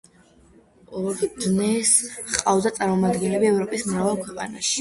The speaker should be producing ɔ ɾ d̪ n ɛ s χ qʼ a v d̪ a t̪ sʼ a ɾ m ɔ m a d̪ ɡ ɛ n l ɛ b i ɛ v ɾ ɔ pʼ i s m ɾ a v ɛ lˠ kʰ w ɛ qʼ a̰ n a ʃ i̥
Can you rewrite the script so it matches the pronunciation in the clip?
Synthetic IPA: ɔ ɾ d̪ n ɛ s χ qʼ a v d̪ a t̪ sʼ a ɾ m ɔ m a d̪ ɡ ɛ n l ɛ b i ɛ v ɾ ɔ pʼ i s m ɾ a v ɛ lˠ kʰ w ɛ qʼ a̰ n a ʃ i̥